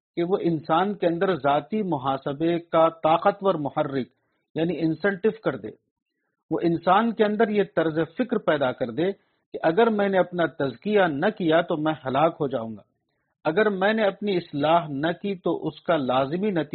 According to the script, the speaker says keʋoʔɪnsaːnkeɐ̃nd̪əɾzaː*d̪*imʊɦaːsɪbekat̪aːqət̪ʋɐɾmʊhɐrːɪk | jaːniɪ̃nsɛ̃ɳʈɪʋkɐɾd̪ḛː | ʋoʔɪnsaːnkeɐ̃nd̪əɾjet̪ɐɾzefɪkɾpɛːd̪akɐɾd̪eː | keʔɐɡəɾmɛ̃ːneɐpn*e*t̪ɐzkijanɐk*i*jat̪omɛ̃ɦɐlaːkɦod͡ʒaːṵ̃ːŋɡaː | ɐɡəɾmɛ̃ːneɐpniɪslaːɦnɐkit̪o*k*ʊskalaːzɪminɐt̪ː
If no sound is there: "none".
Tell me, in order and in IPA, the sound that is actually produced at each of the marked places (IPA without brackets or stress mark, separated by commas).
t̪, a, i, ʔ